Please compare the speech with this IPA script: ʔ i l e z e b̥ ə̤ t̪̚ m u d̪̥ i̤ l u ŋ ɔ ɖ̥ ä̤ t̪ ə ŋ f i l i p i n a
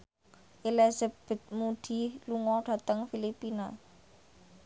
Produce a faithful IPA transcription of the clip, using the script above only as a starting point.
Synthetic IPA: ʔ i l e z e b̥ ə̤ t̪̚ m u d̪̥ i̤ l u ŋ ɔ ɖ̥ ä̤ t̪ ə ŋ f i l i p i n a